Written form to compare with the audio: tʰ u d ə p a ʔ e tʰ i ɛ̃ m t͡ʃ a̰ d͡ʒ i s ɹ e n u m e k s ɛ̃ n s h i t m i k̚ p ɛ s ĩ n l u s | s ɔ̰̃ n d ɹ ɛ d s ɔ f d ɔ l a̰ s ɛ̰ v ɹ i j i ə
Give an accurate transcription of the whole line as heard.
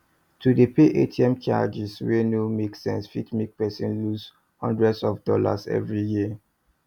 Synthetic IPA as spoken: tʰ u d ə p e ʔ e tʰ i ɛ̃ m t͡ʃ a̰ d͡ʒ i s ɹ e n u m e k s ɛ̃ n s f i t m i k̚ p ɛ s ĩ n l u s | h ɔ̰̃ n d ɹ ɛ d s ɔ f d ɔ l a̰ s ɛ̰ v ɹ i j i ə